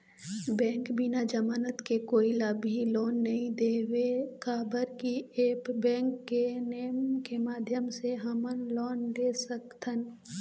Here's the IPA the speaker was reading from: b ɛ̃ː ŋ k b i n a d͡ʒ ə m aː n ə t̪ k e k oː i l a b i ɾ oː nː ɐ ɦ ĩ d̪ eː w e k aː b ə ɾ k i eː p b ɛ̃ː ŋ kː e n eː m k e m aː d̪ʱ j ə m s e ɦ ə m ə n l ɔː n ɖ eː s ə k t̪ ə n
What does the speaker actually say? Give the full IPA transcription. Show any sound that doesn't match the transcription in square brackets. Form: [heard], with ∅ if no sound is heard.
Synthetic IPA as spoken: b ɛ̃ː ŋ k b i n a d͡ʒ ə m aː n ə t̪ k e k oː i l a b i [l] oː nː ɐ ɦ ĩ d̪ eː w e k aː b ə ɾ k i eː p b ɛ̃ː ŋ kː e n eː m k e m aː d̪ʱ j ə m s e ɦ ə m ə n l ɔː n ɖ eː s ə k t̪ ə n